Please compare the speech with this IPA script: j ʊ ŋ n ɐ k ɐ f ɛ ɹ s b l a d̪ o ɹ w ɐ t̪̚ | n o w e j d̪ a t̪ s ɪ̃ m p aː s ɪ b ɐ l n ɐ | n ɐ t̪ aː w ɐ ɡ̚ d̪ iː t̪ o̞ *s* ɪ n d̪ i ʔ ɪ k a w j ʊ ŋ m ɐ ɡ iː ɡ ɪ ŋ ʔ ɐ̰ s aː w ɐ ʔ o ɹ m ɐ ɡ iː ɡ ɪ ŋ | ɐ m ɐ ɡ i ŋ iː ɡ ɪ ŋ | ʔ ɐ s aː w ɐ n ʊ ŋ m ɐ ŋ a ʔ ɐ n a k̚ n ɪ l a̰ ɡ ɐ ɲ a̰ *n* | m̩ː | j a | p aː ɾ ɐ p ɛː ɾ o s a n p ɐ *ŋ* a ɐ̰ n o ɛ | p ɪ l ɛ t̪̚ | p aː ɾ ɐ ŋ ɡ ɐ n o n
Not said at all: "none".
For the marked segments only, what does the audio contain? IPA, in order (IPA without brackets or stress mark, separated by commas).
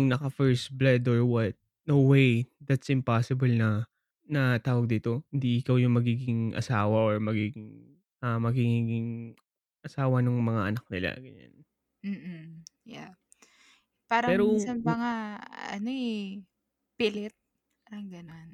h, n, ŋ